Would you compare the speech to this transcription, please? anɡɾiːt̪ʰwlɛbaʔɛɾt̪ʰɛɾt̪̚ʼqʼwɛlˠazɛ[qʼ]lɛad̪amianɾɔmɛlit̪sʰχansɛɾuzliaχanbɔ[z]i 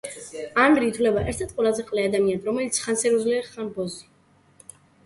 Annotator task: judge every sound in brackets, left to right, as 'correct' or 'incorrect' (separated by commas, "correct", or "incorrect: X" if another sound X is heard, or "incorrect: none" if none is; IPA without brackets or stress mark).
correct, correct